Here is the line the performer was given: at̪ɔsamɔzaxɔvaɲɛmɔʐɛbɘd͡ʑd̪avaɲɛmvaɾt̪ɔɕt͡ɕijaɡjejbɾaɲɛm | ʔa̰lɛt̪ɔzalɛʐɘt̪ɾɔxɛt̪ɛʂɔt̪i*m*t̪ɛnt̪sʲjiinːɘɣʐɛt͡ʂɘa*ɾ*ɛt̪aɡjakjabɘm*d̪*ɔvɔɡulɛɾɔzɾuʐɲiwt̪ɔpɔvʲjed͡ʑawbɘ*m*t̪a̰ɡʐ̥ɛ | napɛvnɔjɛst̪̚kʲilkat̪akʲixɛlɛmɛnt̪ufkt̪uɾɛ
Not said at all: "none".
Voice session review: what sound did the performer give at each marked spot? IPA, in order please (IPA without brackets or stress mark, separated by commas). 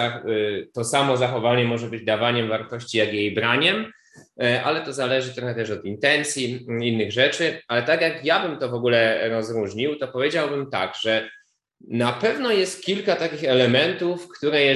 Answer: n, l, t̪, m